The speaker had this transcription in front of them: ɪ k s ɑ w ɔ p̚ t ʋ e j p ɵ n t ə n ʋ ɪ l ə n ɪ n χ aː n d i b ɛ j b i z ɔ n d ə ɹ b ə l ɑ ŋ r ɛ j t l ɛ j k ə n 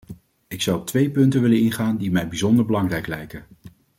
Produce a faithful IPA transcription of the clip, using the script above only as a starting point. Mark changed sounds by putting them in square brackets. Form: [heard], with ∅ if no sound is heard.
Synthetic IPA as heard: ɪ k s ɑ w ɔ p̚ t ʋ e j p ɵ n t ə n ʋ ɪ l ə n ɪ n χ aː n d i [m] ɛ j b i z ɔ n d ə ɹ b ə l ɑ ŋ r ɛ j [k] l ɛ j k ə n